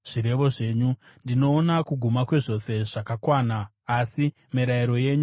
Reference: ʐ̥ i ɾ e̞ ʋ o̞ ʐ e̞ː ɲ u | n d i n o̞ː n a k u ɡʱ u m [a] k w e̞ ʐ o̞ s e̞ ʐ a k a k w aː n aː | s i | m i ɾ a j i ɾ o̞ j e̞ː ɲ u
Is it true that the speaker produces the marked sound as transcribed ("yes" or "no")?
yes